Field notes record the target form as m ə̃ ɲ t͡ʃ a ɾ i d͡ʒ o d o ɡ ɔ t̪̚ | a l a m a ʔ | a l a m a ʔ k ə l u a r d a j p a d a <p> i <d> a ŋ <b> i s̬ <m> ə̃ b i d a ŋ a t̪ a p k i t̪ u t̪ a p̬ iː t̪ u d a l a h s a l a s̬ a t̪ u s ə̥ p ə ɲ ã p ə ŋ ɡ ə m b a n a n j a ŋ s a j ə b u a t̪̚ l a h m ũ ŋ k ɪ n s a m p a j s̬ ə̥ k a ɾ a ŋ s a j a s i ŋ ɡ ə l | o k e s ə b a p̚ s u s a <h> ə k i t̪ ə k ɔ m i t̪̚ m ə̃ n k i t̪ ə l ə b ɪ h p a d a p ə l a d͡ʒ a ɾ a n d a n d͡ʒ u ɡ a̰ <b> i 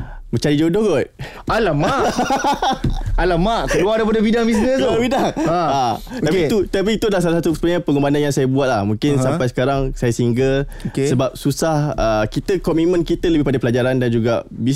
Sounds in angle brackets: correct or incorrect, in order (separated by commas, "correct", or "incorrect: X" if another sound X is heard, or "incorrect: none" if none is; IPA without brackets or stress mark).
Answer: incorrect: b, correct, correct, incorrect: n, correct, correct